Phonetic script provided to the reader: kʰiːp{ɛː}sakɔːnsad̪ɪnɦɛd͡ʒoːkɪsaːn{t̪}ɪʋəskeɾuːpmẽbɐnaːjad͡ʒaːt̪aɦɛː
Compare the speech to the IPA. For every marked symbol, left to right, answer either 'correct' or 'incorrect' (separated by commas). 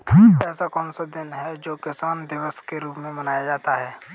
correct, incorrect